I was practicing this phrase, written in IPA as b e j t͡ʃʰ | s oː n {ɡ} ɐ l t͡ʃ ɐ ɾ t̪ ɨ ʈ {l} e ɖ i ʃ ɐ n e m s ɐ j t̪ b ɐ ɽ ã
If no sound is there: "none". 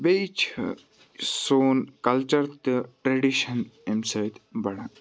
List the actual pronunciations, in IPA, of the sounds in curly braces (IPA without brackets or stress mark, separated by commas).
k, ɾ